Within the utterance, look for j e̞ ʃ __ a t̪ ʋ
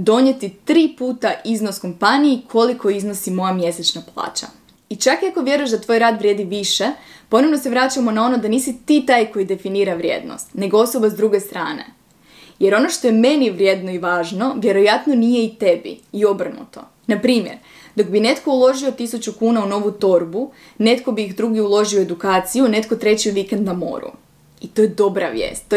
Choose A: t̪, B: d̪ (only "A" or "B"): B